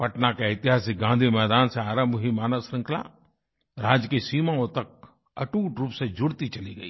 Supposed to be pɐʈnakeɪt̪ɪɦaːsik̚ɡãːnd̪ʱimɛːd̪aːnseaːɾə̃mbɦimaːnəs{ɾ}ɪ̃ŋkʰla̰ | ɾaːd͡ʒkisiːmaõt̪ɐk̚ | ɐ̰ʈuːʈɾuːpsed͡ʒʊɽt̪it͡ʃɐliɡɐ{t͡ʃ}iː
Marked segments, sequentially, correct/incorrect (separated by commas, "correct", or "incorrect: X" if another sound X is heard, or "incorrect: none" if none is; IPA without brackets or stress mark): correct, incorrect: none